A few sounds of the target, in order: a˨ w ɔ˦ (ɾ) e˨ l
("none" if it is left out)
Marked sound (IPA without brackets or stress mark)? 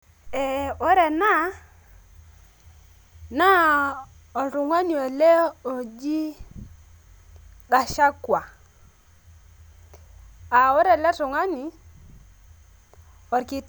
ɾ